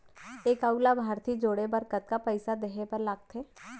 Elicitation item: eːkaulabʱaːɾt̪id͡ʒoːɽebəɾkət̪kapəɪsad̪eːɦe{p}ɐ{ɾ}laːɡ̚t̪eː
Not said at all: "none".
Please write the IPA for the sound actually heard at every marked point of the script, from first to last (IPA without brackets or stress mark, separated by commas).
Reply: p, ɾ